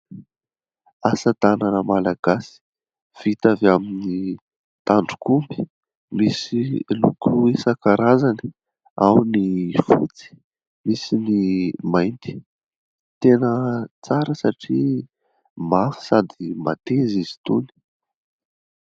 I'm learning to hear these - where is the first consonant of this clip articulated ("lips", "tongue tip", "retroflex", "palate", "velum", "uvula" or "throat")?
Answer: tongue tip